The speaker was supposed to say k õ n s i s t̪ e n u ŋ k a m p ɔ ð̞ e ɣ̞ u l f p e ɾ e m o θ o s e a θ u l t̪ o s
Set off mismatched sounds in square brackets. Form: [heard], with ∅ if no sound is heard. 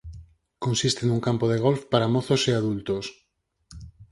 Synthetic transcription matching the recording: k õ n s i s t̪ e n u ŋ k a m p [o] ð̞ e ɣ̞ [o] l f p [a] ɾ [a] m o θ o s e a [ð] u l t̪ o s

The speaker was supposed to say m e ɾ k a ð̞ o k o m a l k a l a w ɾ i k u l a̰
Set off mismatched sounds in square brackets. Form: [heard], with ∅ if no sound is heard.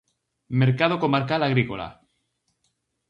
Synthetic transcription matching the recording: m e ɾ k a ð̞ o k o m a [ɾ] k a l a [ɣ] ɾ i k [o] l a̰

